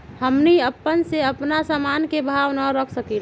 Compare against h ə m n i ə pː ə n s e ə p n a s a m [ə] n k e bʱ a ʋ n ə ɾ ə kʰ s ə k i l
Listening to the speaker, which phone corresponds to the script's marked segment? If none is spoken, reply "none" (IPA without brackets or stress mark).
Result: a